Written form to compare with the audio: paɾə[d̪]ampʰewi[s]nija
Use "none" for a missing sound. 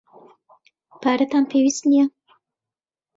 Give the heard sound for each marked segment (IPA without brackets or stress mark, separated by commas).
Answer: t̪, s